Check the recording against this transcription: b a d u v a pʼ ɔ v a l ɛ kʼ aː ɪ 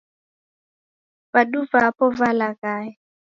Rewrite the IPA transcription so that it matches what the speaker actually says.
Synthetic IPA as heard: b a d u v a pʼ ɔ v a l a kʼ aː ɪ